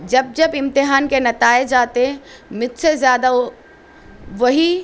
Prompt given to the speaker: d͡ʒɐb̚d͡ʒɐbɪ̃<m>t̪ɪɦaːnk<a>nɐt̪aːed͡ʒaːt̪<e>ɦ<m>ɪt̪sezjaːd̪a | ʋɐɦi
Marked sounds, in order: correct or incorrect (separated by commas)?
correct, incorrect, correct, correct